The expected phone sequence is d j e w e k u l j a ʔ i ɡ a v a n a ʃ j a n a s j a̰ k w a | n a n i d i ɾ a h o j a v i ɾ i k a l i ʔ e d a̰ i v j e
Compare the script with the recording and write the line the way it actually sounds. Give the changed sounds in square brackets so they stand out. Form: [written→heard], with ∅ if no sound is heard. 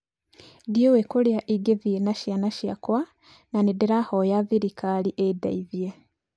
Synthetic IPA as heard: d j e w e k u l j a ʔ i ɡ [a→e] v [a→i] n a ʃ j a n a [s→ʃ] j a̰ k w a | n a n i d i ɾ a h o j a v i ɾ i k a l i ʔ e d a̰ i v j e

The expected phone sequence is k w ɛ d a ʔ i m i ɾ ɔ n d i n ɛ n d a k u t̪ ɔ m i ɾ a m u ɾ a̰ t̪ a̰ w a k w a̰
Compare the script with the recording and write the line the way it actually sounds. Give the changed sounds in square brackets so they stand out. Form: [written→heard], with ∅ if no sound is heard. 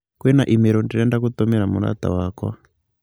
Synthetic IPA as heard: k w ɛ [d→n] a ʔ i m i ɾ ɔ n d i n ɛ n d a k u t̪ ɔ m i ɾ a m u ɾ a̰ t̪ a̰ w a k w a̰

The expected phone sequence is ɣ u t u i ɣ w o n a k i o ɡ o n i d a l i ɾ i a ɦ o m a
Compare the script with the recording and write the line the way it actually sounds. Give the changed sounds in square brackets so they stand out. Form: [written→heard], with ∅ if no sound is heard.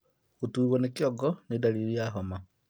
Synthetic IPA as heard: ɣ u t u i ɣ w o n [a→e] k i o ɡ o n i d a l i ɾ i a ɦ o m a

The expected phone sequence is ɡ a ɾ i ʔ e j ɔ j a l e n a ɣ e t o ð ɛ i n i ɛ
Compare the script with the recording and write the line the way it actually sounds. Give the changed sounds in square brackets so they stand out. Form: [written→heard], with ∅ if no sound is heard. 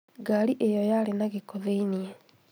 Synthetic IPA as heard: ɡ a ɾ i ʔ e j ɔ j a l e n a ɣ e [t→k] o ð [ɛ→e] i n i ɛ

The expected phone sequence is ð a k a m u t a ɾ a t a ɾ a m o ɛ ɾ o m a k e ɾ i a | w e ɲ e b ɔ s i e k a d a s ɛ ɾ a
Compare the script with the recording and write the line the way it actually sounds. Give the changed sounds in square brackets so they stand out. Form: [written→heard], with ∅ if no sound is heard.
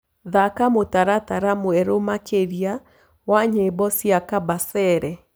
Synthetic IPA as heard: ð a k a m [u→o] t a ɾ a t a ɾ a m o ɛ ɾ o m a k e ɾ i a | w [e→a] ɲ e b ɔ s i [e→a] k a [d→b] a s ɛ ɾ [a→ɛ]

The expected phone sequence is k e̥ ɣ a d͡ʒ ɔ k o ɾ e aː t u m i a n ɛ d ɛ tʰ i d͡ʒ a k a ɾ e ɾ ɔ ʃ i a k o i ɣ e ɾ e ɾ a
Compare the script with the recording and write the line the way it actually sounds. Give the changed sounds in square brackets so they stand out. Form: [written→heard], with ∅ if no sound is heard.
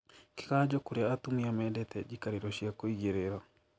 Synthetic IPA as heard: k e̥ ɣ a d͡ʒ ɔ k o ɾ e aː t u m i a [n→m] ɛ d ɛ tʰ [i→ɛ] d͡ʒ [a→i] k a ɾ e ɾ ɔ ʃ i a k o i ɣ e ɾ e ɾ a

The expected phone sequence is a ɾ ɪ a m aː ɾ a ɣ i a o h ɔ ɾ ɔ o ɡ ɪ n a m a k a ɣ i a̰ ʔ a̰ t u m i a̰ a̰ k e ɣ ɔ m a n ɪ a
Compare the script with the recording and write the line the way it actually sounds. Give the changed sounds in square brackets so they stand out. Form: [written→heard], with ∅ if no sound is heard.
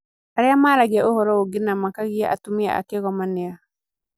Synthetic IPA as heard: a ɾ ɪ a m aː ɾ a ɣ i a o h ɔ ɾ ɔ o ɡ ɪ n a m a k a ɣ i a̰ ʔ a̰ t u m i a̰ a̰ k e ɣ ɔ m a n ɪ a

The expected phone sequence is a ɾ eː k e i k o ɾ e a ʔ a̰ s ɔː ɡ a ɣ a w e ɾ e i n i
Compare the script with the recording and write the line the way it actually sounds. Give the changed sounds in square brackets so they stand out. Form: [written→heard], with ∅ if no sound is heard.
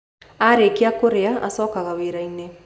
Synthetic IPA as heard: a ɾ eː k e [i→a] k o ɾ e a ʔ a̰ s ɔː [ɡ→k] a ɣ a w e ɾ [e→a] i n [i→e]

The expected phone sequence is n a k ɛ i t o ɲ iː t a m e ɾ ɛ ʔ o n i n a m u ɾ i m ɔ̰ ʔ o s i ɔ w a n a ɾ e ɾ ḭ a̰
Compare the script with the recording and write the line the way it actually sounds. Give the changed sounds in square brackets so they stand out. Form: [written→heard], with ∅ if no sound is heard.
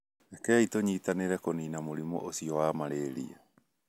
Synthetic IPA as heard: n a k ɛ i t o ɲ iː t a [m→n] e ɾ ɛ [ʔ→k] o n i n a m [u→o] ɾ i m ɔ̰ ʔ o s i ɔ w a [n→m] a ɾ e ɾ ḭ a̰

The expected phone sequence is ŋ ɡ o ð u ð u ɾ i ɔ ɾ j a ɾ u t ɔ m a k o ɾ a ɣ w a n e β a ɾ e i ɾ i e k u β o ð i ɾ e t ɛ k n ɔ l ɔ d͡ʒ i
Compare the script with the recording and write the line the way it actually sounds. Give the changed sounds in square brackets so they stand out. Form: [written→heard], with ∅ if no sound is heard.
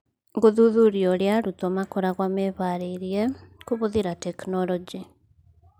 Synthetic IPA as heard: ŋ ɡ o ð u ð u ɾ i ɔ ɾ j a ɾ u t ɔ m a k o ɾ a ɣ w a [n→m] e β a ɾ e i ɾ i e k u β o ð i ɾ [e→a] t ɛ k n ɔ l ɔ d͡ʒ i

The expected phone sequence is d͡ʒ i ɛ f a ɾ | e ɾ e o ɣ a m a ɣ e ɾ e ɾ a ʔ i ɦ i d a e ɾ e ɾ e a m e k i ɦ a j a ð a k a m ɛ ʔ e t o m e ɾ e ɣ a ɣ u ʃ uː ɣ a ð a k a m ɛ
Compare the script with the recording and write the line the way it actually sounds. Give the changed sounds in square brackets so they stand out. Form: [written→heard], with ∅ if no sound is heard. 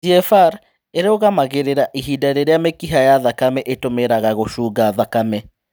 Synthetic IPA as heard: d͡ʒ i ɛ f a ɾ | e ɾ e o ɣ a m a ɣ e ɾ e ɾ a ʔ i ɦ i d a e ɾ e ɾ e a m e k i ɦ a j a ð a k a m ɛ ʔ e t o m e ɾ [e→a] ɣ a ɣ [u→o] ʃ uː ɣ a ð a k a m ɛ

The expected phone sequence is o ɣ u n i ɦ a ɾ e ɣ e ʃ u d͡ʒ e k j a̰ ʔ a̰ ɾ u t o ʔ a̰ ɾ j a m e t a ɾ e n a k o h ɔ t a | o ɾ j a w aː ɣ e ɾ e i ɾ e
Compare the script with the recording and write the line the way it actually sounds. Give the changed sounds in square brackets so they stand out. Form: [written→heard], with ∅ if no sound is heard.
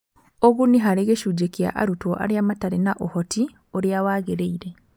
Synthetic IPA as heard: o ɣ u n i ɦ a ɾ e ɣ e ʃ u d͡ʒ e k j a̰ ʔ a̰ ɾ u t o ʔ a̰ ɾ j a m [e→a] t a ɾ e n a [k→ʔ] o h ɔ t [a→i] | o ɾ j a w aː ɣ e ɾ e i ɾ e

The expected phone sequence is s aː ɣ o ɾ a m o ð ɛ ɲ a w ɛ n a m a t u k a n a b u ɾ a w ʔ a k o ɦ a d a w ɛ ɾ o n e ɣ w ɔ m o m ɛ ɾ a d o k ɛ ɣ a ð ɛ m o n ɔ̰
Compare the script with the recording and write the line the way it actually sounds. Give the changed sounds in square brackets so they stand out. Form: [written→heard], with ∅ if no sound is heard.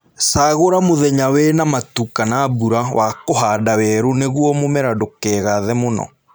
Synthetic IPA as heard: s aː ɣ o ɾ a m o ð ɛ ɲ a w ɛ n a m a t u k a n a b u ɾ a w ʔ a k o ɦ a d a w ɛ ɾ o n e ɣ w ɔ m o m ɛ ɾ a d o k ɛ ɣ a ð ɛ m o n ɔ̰

